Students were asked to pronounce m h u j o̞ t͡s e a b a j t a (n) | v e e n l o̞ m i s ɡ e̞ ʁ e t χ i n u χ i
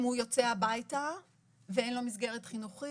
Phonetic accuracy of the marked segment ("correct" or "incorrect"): incorrect